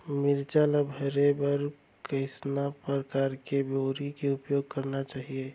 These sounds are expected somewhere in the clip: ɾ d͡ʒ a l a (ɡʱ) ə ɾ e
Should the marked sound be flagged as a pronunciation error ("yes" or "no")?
yes